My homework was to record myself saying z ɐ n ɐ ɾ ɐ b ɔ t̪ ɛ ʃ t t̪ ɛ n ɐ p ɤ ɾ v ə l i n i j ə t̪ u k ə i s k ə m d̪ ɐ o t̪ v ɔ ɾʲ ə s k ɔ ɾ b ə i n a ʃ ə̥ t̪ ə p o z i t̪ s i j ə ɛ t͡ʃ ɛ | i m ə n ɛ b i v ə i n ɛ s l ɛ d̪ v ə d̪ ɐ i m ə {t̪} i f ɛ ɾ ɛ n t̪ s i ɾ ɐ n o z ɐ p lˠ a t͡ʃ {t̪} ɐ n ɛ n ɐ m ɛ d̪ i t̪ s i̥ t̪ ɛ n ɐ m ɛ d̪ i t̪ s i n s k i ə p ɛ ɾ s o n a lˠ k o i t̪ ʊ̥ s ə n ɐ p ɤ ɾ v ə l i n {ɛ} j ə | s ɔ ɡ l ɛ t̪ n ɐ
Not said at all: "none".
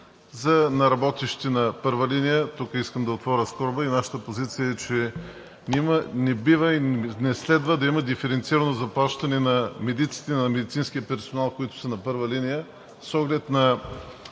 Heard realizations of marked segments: d̪, t̪, i

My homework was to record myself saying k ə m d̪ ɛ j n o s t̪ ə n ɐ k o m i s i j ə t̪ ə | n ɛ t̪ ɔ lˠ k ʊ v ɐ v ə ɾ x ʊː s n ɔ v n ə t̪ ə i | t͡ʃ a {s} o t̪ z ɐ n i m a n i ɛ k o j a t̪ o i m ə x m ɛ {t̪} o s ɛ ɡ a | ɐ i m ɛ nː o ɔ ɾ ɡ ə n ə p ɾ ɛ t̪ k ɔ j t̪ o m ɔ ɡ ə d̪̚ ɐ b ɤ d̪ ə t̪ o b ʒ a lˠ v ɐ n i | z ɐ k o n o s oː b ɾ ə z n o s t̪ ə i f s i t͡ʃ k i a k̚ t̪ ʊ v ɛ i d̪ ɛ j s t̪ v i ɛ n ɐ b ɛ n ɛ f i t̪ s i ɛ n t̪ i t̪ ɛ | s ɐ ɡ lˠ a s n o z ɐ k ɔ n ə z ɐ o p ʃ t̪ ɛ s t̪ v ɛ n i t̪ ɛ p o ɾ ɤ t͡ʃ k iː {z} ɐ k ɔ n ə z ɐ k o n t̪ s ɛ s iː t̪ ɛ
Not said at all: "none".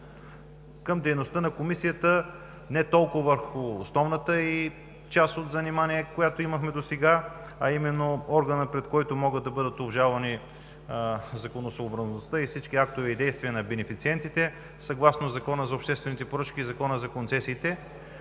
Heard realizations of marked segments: s, d̪, z

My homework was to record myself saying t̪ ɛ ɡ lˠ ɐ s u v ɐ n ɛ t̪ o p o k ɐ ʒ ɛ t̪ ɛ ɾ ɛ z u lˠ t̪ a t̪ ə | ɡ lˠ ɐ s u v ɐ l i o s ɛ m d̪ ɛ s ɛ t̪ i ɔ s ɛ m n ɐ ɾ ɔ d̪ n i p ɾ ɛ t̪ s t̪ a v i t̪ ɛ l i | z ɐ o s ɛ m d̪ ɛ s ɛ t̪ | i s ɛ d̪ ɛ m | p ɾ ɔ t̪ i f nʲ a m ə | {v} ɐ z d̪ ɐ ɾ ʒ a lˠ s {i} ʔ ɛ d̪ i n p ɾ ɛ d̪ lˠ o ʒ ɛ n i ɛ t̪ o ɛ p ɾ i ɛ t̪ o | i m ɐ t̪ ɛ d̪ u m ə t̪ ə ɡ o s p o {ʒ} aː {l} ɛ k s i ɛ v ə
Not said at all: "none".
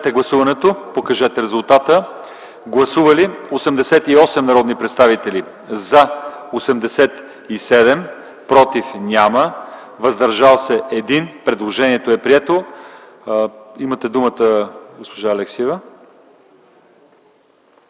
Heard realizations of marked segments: v, ɛ, ʒ, l

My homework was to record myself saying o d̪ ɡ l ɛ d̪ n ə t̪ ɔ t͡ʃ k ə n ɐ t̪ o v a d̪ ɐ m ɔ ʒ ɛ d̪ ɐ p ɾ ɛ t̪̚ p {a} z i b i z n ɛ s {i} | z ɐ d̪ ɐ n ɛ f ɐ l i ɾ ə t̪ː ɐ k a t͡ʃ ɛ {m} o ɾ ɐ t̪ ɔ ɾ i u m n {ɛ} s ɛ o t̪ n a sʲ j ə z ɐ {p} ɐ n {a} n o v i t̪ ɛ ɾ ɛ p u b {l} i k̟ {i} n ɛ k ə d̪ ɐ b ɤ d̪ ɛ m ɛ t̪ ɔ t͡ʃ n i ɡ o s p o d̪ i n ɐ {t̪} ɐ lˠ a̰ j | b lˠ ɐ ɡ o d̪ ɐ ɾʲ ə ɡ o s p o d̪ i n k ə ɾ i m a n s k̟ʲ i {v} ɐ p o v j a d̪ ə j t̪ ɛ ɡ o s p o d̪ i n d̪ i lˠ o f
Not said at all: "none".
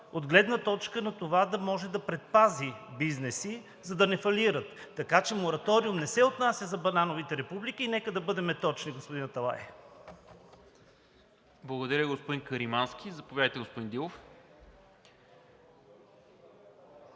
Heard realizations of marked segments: a, i, m, ɛ, b, a, l, iː, t̪, z

